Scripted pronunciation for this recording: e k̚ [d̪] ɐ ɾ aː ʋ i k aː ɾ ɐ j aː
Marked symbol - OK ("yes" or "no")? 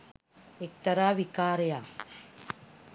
no